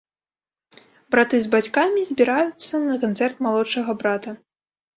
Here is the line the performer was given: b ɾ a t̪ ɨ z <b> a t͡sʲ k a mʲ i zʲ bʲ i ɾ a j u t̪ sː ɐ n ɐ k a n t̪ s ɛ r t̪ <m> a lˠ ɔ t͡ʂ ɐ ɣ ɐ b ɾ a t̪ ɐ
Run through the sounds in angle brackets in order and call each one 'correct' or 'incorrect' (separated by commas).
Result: correct, correct